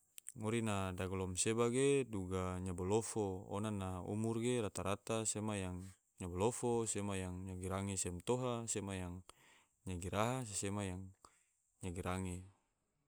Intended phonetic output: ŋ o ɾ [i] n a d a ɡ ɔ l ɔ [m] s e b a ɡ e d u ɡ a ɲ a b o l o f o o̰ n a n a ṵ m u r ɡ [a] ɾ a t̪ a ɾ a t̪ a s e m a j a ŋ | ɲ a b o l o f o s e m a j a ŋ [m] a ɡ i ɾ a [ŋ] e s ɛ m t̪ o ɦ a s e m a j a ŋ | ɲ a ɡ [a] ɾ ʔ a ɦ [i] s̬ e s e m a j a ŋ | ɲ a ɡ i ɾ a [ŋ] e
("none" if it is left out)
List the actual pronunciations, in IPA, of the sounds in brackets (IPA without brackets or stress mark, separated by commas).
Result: i, m, e, ɲ, ŋ, i, a, ŋ